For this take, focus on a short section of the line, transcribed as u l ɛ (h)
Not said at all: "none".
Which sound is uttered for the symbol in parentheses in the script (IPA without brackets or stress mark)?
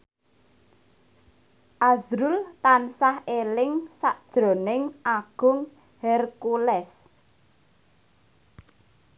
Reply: s